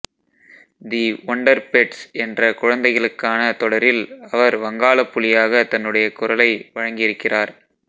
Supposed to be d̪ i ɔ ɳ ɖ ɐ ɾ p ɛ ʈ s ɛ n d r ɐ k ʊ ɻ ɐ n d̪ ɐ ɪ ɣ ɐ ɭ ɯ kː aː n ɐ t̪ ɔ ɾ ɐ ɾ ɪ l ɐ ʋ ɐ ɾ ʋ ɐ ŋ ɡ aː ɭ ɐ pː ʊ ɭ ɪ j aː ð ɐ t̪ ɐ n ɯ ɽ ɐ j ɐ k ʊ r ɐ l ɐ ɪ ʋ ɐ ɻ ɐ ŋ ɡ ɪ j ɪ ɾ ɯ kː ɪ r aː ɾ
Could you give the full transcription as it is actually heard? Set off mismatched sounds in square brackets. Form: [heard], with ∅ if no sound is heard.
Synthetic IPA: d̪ i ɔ ɳ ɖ ɐ ɾ p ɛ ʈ s ɛ n d r ɐ k ʊ ɻ ɐ n d̪ ɐ ɪ ɣ ɐ ɭ ɯ kː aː n ɐ t̪ ɔ [ɽ] ɐ ɾ ɪ l ɐ ʋ ɐ ɾ ʋ ɐ ŋ ɡ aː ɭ ɐ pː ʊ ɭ ɪ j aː [ɣ] ɐ t̪ ɐ [nː] ɯ ɽ ɐ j ɐ k ʊ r ɐ l ɐ ɪ ʋ ɐ ɻ ɐ ŋ ɡ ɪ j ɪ ɾ ɯ kː ɪ r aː ɾ

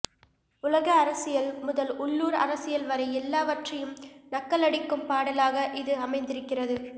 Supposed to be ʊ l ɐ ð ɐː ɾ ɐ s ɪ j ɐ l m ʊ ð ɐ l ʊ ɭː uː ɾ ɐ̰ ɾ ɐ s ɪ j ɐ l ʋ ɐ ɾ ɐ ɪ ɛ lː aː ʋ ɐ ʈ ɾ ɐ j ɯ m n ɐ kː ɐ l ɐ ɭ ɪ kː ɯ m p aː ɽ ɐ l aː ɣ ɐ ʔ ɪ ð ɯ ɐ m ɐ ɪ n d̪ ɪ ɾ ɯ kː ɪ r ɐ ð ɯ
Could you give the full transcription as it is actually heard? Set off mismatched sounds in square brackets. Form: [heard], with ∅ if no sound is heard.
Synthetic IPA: ʊ l ɐ [ɣ] ɐː ɾ ɐ s ɪ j ɐ l m ʊ ð ɐ l ʊ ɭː uː ɾ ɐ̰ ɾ ɐ s ɪ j ɐ l ʋ ɐ ɾ ɐ ɪ ɛ lː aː ʋ ɐ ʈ [r] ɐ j ɯ m n ɐ kː ɐ l ɐ [ɽ] ɪ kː ɯ m p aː ɽ ɐ l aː ɣ ɐ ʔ ɪ ð ɯ ɐ m ɐ ɪ n d̪ ɪ ɾ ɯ kː ɪ r ɐ ð ɯ

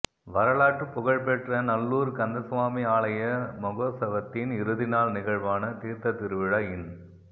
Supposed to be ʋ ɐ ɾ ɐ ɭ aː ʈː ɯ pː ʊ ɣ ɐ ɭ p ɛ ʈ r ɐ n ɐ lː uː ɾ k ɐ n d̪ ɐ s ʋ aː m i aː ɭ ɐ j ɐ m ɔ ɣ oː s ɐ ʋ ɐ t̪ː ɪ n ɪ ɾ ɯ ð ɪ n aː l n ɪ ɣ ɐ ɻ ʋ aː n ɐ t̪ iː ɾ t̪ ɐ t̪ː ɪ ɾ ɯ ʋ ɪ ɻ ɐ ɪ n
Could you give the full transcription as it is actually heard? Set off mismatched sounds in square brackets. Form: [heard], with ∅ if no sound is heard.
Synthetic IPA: ʋ ɐ ɾ ɐ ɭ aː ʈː ɯ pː ʊ ɣ ɐ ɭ p ɛ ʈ r ɐ n ɐ lː uː ɾ k ɐ n d̪ ɐ s ʋ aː m i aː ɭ ɐ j ɐ m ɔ ɣ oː s ɐ ʋ ɐ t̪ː ɪ n ɪ ɾ ɯ ð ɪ n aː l n ɪ ɣ ɐ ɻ ʋ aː n ɐ t̪ iː ɾ t̪ ɐ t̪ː ɪ ɾ ɯ ʋ ɪ ɻ ɐ ɪ n

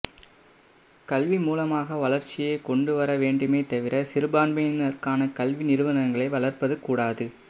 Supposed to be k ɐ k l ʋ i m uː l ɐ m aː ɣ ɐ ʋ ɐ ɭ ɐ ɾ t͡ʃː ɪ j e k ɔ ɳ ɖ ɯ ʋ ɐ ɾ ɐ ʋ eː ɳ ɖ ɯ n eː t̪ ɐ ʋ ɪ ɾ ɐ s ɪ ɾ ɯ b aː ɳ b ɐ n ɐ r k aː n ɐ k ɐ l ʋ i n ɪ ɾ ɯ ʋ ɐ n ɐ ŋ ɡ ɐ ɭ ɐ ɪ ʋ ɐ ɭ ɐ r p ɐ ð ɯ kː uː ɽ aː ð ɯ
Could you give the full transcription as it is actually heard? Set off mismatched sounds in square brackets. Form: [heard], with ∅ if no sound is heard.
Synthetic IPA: k ɐ [∅] l ʋ i m uː l ɐ m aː ɣ ɐ ʋ ɐ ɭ ɐ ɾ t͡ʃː ɪ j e k ɔ ɳ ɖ ɯ ʋ ɐ ɾ ɐ ʋ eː ɳ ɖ ɯ [m] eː t̪ ɐ ʋ ɪ ɾ ɐ s ɪ ɾ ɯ b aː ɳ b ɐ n ɐ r k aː n ɐ k ɐ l ʋ i n ɪ ɾ ɯ ʋ ɐ n ɐ ŋ ɡ ɐ ɭ ɐ ɪ ʋ ɐ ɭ ɐ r p ɐ ð ɯ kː uː ɽ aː ð ɯ

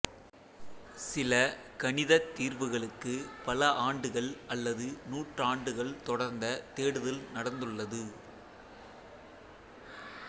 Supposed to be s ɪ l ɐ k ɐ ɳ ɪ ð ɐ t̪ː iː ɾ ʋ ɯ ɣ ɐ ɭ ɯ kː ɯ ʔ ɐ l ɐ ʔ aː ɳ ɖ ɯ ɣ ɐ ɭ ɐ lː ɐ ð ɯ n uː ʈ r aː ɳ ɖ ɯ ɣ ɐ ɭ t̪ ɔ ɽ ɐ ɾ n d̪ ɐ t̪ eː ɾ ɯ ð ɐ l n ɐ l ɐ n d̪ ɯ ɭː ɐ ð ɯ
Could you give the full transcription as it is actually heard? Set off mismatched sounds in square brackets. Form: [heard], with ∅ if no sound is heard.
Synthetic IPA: s ɪ l ɐ k ɐ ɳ ɪ ð ɐ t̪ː iː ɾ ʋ ɯ ɣ ɐ ɭ ɯ kː ɯ [p] ɐ l ɐ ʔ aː ɳ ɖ ɯ ɣ ɐ ɭ ɐ lː ɐ ð ɯ n uː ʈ r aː ɳ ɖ ɯ ɣ ɐ ɭ t̪ ɔ ɽ ɐ ɾ n d̪ ɐ t̪ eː [ɽ] ɯ ð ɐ l n ɐ [ɽ] ɐ n d̪ ɯ ɭː ɐ ð ɯ

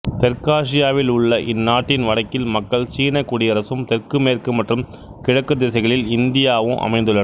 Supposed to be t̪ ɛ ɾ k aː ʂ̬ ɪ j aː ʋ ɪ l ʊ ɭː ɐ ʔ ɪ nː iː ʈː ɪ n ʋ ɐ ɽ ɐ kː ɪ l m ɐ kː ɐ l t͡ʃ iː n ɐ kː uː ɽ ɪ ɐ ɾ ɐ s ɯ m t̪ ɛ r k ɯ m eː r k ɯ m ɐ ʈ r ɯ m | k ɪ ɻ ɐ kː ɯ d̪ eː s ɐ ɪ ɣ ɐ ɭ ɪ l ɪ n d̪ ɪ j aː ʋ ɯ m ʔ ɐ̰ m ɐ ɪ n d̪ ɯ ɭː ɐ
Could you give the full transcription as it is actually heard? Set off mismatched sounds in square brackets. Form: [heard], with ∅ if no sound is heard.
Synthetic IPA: t̪ ɛ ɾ k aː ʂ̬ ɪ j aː ʋ ɪ l ʊ ɭː ɐ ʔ ɪ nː [aː] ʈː ɪ n ʋ ɐ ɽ ɐ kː ɪ l m ɐ kː ɐ [ɭ] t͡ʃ iː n ɐ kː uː ɽ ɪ ɐ ɾ ɐ s ɯ m t̪ ɛ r k ɯ m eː r k ɯ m ɐ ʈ r ɯ m | k ɪ ɻ ɐ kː ɯ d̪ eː s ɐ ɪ ɣ ɐ ɭ ɪ l ɪ n d̪ ɪ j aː ʋ ɯ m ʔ ɐ̰ m ɐ ɪ n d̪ ɯ ɭː ɐ

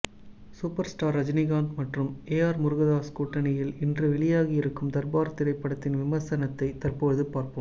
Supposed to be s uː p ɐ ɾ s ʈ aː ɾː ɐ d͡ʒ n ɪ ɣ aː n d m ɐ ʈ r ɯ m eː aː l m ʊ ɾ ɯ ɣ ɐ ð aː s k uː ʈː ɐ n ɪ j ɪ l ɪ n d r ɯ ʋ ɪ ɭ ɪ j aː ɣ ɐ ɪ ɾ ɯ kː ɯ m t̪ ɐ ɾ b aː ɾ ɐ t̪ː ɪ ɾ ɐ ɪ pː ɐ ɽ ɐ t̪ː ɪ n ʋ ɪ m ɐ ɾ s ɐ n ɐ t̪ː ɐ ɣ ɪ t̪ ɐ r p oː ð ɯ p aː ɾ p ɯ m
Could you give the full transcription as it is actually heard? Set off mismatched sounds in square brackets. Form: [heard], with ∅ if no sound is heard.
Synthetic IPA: s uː p ɐ ɾ s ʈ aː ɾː ɐ d͡ʒ n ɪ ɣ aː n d m ɐ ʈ r ɯ m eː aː [ɾ] m ʊ ɾ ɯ ɣ ɐ ð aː s k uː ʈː ɐ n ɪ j ɪ l ɪ n d r ɯ ʋ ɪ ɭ ɪ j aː ɣ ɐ ɪ ɾ ɯ kː ɯ m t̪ ɐ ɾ b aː ɾ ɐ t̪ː ɪ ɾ ɐ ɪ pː ɐ ɽ ɐ t̪ː ɪ n ʋ ɪ m ɐ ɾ s ɐ n ɐ t̪ː ɐ [∅] ɪ t̪ ɐ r p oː ð ɯ p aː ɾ p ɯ m

